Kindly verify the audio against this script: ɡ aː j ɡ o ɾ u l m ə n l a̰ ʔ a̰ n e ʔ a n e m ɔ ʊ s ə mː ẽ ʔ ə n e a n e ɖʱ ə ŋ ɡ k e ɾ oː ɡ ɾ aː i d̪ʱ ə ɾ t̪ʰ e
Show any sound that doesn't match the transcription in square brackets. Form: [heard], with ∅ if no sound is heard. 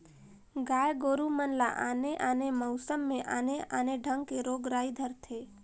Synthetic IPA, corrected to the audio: ɡ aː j ɡ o ɾ u [∅] m ə n l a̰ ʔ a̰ n e ʔ a n e m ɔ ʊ s ə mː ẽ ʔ [a] n e a n e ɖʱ ə ŋ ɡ k e ɾ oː ɡ ɾ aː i d̪ʱ ə ɾ t̪ʰ e